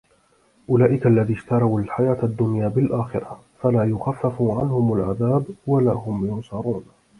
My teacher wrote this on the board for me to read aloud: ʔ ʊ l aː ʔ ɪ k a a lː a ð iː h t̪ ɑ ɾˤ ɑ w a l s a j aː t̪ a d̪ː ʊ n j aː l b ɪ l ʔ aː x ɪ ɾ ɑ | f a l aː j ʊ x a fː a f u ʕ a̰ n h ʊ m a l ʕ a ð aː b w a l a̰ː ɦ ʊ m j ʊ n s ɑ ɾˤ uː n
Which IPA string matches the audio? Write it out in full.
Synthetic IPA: ʔ ʊ l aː ʔ ɪ k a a lː a ð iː ʃ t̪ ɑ ɾˤ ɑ w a l ħ a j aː t̪ a d̪ː ʊ n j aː b ɪ l ʔ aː x ɪ ɾ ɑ | f a l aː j ʊ x a fː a f u ʕ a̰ n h ʊ m a l ʕ a ð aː b w a l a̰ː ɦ ʊ m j ʊ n s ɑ ɾˤ uː n